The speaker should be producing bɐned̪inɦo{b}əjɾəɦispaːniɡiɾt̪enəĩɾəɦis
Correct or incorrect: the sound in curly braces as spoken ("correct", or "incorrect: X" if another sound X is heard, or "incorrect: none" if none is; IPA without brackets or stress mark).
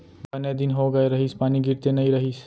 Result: incorrect: ɡ